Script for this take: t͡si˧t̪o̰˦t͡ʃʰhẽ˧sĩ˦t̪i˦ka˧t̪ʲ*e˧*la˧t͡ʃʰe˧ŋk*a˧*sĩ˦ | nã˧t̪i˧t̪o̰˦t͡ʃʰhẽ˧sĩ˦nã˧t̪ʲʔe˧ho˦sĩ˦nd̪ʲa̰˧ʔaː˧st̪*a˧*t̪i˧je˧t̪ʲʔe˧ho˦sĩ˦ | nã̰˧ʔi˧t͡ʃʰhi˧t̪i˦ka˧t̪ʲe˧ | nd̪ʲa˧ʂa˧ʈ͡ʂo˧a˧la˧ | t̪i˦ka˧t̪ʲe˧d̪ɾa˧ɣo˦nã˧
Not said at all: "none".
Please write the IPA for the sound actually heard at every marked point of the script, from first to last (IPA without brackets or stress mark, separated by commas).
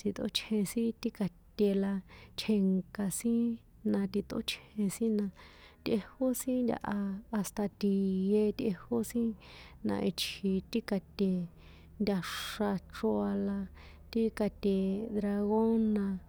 e˧, a˧, a˧